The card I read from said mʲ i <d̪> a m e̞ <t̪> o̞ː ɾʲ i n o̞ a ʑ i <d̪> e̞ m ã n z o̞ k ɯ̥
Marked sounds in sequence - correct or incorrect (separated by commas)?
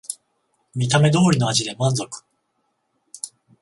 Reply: incorrect, incorrect, correct